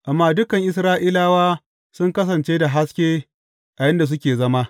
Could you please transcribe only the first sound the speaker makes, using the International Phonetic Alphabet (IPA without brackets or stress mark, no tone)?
ʔ